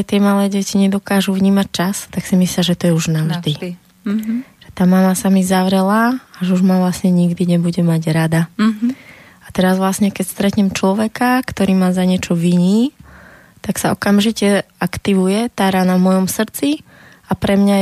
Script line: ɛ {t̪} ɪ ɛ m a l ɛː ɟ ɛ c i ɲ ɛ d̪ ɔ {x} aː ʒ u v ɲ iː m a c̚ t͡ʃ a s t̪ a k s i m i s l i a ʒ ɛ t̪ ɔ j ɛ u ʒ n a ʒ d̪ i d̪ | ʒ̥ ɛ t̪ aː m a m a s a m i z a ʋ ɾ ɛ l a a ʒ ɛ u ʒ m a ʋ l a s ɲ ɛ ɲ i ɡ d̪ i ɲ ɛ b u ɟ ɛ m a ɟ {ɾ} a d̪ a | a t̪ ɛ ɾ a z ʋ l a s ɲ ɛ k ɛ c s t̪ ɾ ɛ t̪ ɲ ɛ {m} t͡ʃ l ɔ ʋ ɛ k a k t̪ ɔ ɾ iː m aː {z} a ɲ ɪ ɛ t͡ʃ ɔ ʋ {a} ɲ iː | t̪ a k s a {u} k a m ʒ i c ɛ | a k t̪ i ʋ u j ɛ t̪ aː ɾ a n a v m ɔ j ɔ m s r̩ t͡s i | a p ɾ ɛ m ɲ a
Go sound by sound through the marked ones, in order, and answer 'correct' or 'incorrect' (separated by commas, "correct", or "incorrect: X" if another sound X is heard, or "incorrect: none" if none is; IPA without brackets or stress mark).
correct, incorrect: k, correct, correct, correct, incorrect: i, incorrect: ɔ